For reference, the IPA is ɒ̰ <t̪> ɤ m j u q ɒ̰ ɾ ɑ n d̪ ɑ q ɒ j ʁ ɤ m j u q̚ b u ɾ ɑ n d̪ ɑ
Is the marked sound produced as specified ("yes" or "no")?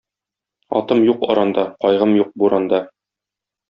yes